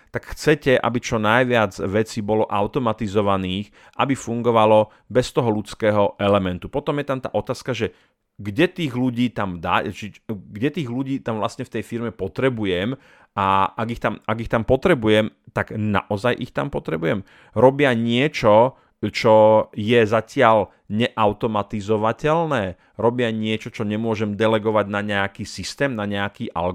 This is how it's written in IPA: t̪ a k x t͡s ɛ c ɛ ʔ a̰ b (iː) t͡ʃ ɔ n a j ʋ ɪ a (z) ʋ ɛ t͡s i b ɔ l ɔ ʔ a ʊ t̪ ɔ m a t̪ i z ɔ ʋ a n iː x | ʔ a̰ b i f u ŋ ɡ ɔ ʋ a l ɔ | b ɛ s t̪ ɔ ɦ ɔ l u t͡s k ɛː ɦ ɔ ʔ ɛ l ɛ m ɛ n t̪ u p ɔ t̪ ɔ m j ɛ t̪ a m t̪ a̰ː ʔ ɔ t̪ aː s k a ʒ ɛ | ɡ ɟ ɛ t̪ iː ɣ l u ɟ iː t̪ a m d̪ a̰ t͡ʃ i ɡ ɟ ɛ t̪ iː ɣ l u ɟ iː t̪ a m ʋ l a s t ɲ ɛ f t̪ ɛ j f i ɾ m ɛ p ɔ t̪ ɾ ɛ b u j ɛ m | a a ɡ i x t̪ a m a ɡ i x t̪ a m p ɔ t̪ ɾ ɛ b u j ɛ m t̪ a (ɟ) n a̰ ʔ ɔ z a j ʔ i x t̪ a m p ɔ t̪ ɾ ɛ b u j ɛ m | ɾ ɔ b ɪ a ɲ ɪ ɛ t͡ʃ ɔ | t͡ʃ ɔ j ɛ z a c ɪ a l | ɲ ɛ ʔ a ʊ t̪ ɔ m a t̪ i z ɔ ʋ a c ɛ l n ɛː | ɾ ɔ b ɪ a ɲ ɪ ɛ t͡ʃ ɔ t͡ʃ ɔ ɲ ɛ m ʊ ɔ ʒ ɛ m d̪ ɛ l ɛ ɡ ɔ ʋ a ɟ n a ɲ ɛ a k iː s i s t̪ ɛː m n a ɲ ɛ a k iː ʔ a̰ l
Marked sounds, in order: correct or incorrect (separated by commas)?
incorrect, incorrect, incorrect